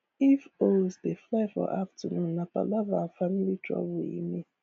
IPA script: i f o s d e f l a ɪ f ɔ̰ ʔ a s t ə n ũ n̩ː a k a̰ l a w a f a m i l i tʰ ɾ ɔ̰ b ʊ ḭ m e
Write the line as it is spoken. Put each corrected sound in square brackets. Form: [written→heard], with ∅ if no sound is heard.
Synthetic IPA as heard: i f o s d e f l a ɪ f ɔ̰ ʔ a [s→f] t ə n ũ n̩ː a [k→p] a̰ l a [w→v] a f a m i l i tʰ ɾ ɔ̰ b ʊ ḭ m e